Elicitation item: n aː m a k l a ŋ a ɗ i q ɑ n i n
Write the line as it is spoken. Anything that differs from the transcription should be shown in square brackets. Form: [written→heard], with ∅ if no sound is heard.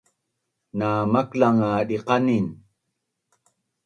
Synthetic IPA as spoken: n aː m a k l a ŋ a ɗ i q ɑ n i n